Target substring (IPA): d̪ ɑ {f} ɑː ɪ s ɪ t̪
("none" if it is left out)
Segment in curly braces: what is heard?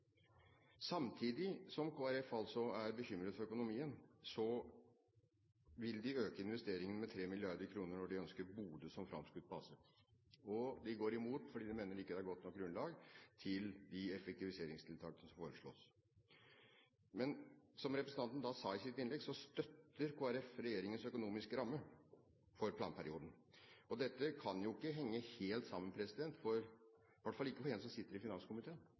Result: s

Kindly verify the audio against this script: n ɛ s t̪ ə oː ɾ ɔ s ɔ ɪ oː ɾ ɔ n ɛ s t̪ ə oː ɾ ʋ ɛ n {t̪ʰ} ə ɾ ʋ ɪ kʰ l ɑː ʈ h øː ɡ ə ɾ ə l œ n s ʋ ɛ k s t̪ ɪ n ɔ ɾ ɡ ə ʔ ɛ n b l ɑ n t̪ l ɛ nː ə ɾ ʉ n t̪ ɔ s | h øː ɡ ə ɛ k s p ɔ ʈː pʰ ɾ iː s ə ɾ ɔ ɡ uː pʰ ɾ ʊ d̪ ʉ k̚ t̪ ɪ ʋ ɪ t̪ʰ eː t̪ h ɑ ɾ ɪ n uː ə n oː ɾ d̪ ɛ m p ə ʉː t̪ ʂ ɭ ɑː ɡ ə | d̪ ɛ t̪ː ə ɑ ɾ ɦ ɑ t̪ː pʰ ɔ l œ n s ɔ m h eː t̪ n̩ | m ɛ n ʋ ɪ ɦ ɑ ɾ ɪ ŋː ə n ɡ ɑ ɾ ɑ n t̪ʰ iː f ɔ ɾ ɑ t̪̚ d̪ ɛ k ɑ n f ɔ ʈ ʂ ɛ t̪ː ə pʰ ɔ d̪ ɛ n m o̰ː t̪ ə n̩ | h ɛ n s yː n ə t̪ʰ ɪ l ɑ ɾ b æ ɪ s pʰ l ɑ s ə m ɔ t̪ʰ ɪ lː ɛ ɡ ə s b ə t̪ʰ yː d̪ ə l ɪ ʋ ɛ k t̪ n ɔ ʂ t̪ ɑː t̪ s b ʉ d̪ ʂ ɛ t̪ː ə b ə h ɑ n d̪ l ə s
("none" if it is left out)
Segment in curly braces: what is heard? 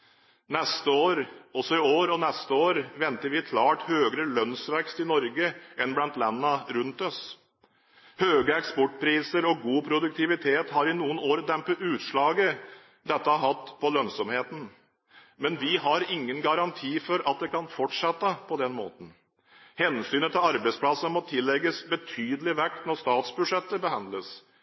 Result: t̪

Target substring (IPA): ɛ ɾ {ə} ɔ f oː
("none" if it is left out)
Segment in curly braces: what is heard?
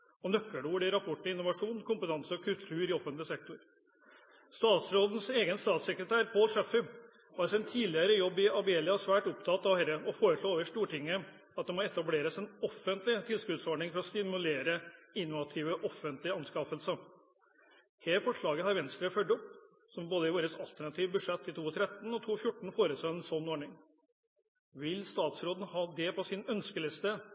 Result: ə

